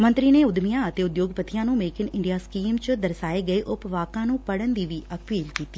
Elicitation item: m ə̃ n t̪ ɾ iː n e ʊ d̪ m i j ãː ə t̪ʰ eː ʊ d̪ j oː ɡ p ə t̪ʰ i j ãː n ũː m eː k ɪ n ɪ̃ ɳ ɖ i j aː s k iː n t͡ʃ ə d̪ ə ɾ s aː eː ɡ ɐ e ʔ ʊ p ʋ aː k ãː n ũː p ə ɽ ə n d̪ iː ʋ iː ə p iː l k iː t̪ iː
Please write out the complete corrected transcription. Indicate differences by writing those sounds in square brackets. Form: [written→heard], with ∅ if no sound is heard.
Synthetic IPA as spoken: m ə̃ n t̪ ɾ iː n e ʊ d̪ m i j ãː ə [t̪ʰ→t̪] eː ʊ d̪ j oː ɡ p ə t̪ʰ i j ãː n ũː m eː k ɪ n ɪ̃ ɳ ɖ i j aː s k iː [n→m] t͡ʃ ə d̪ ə ɾ s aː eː ɡ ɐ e ʔ ʊ p ʋ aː k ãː n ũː p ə ɽ ə n d̪ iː ʋ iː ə p iː l k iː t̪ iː

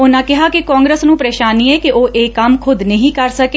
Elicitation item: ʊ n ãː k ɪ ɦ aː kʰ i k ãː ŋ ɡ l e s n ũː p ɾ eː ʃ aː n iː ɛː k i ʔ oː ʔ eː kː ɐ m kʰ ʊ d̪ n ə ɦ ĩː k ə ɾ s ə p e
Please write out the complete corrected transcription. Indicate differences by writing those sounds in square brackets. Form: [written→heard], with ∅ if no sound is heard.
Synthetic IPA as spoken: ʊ n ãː k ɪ ɦ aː [kʰ→k] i k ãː ŋ ɡ [l→ɾ] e s n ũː p ɾ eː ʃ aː n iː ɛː k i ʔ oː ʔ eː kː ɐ m kʰ ʊ d̪ n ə ɦ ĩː k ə ɾ s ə [p→k] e

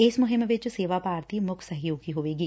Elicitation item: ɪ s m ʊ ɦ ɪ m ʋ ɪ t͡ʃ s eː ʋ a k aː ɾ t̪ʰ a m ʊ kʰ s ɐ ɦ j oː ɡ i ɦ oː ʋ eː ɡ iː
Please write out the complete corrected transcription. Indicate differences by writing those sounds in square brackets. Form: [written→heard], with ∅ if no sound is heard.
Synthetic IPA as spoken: ɪ s m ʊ ɦ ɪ m ʋ ɪ t͡ʃ s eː ʋ a [k→p] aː ɾ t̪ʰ [a→i] m ʊ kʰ s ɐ ɦ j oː ɡ i ɦ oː ʋ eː ɡ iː

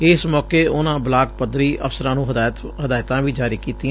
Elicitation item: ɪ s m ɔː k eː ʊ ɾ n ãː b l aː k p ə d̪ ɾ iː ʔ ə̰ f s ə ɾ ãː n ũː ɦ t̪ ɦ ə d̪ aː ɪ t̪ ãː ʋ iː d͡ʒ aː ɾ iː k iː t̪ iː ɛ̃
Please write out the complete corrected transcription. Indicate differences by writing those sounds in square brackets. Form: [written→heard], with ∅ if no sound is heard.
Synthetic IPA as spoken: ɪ s m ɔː k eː ʊ [ɾ→∅] n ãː b l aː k p ə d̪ ɾ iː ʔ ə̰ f s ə ɾ ãː n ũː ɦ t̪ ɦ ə d̪ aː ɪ t̪ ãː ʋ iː d͡ʒ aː ɾ iː k iː t̪ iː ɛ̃

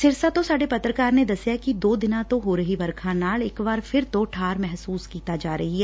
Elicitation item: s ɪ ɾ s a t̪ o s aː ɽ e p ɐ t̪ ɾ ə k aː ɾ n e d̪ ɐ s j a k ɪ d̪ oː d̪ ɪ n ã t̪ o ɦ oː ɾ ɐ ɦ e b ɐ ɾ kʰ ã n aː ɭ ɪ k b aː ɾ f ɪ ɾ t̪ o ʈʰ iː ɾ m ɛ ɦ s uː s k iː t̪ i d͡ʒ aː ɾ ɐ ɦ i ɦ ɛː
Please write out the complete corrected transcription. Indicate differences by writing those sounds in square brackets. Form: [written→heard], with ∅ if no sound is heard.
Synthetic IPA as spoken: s ɪ ɾ s a t̪ o s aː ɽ e p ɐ t̪ ɾ ə k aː ɾ n e d̪ ɐ s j a k [ɪ→i] d̪ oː d̪ ɪ n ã t̪ o ɦ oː ɾ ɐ ɦ [e→i] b ɐ ɾ kʰ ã n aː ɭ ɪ k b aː ɾ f ɪ ɾ t̪ o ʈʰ [iː→aː] ɾ m ɛ ɦ s uː s k iː t̪ [i→a] d͡ʒ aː ɾ ɐ ɦ i ɦ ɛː

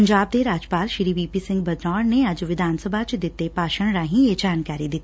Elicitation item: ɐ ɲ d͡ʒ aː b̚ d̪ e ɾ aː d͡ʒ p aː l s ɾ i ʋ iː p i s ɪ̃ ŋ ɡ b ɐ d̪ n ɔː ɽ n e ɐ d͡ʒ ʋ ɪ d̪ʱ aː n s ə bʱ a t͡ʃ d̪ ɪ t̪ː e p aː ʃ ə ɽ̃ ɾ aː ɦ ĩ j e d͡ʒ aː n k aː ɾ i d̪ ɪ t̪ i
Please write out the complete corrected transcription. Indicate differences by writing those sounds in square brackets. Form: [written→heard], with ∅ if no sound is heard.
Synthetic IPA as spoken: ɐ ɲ d͡ʒ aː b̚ d̪ e ɾ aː d͡ʒ p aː l [s→ʃ] ɾ i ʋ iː p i s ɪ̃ ŋ ɡ b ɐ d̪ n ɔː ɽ n e ɐ d͡ʒ ʋ ɪ d̪ʱ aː n s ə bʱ a t͡ʃ d̪ ɪ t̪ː e p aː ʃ ə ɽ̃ ɾ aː ɦ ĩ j e d͡ʒ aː n k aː ɾ i d̪ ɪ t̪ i

